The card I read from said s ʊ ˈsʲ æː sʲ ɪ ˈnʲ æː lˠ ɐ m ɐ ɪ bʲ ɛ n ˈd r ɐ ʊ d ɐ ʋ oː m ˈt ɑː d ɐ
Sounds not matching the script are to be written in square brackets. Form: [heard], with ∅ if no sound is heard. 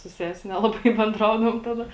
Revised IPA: s ʊ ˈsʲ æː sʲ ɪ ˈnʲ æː lˠ ɐ [b] ɐ ɪ bʲ ɛ n ˈd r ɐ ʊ d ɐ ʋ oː m ˈt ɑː d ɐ